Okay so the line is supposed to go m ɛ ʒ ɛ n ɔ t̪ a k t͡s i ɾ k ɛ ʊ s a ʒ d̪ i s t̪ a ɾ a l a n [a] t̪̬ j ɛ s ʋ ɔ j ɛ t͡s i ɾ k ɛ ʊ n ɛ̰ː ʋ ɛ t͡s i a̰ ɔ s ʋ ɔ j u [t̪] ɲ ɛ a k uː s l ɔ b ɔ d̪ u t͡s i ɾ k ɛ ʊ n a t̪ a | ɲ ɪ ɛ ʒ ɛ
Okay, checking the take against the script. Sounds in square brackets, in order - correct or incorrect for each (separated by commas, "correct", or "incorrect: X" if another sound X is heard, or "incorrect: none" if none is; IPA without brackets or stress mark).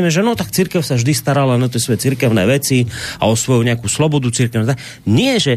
correct, incorrect: none